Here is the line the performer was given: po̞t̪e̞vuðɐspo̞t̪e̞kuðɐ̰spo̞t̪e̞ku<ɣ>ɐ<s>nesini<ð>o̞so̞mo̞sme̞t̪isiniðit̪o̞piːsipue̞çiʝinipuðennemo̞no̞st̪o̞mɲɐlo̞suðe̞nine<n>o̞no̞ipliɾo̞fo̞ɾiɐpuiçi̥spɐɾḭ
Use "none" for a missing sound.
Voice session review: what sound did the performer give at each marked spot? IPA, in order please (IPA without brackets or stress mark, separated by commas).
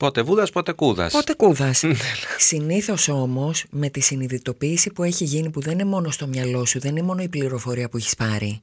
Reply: ð, s, θ, m